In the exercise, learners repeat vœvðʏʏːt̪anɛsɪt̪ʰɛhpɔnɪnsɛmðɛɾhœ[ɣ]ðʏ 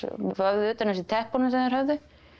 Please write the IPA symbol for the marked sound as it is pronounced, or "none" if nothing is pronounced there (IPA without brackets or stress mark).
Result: v